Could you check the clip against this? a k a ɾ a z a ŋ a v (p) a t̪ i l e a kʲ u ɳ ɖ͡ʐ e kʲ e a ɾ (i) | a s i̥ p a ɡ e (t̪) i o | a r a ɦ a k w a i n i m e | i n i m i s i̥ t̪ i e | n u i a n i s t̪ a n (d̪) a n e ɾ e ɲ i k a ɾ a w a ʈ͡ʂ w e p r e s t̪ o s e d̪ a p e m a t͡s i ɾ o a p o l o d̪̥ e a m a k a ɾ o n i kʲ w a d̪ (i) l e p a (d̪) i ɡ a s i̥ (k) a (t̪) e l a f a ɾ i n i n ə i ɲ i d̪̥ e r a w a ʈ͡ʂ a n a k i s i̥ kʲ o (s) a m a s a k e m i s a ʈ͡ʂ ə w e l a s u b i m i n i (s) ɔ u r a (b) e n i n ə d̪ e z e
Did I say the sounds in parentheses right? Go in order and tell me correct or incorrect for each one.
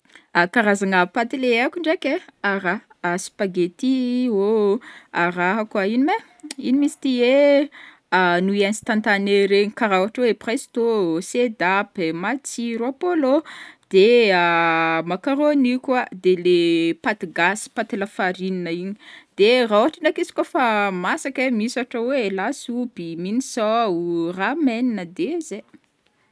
correct, incorrect: a, correct, incorrect: t̪, incorrect: e, incorrect: t̪, incorrect: p, correct, incorrect: f, correct, incorrect: m

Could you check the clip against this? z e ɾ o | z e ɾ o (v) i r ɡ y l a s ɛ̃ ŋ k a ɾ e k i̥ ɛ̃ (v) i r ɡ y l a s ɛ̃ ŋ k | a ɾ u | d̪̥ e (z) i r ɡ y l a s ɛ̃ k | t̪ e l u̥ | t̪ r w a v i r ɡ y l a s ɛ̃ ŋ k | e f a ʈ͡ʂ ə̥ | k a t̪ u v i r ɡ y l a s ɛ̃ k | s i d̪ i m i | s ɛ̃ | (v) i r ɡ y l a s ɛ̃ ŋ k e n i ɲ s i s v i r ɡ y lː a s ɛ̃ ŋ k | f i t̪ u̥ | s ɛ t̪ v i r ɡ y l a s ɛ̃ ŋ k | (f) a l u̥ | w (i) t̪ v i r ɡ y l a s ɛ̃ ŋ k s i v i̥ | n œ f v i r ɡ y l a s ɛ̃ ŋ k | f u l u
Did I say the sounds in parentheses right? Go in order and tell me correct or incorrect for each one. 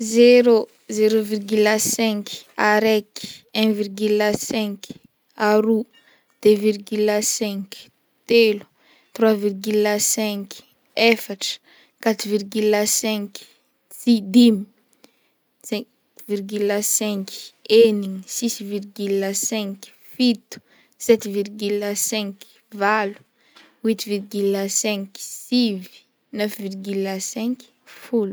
correct, correct, incorrect: v, correct, incorrect: v, correct

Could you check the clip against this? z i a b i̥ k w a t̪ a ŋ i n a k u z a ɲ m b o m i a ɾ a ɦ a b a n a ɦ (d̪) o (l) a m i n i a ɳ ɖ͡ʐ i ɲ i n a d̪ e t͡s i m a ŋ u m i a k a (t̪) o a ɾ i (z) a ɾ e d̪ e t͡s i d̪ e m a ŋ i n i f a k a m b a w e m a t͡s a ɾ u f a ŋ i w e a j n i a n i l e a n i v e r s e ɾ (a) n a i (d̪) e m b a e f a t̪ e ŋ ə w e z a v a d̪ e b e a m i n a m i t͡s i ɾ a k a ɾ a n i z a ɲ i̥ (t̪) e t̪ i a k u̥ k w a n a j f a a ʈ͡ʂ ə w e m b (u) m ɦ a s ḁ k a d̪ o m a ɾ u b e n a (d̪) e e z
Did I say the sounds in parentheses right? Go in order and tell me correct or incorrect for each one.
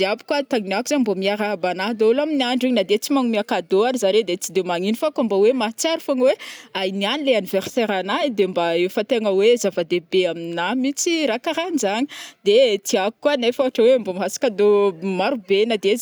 correct, correct, incorrect: d̪, correct, correct, correct, incorrect: d̪, incorrect: o, correct

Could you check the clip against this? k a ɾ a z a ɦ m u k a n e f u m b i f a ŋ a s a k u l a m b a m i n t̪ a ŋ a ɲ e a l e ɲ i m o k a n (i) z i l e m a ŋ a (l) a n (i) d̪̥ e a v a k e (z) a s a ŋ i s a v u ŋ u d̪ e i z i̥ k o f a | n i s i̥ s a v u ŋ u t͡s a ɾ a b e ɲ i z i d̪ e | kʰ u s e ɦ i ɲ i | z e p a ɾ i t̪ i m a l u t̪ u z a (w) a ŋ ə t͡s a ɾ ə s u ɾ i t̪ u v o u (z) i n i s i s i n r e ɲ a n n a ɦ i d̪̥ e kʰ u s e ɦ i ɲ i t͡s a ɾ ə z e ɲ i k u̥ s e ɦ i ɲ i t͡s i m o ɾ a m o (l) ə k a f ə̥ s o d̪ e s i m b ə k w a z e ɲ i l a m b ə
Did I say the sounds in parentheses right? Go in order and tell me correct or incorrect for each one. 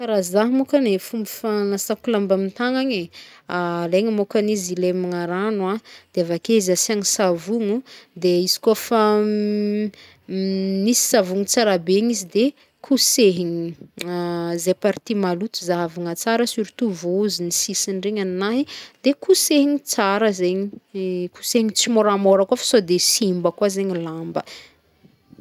correct, incorrect: ɾ, incorrect: a, correct, incorrect: v, correct, incorrect: ɾ

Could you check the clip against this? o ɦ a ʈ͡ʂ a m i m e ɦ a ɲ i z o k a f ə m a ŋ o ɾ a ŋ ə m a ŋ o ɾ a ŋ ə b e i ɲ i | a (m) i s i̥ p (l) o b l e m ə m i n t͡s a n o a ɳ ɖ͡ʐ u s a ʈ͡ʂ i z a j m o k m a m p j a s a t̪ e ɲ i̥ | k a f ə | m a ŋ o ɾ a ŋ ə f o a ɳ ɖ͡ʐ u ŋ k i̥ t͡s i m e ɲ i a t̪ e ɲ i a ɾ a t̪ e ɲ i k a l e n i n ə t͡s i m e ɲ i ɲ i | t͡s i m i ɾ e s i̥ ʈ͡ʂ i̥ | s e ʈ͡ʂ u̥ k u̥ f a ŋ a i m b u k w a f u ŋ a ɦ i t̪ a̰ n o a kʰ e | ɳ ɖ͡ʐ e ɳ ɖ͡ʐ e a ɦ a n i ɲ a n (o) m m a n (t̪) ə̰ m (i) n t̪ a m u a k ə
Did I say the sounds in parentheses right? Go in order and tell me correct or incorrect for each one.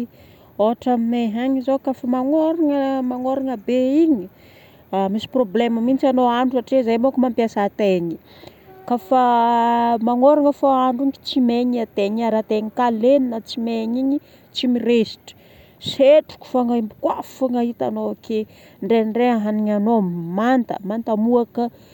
correct, incorrect: r, correct, correct, incorrect: a

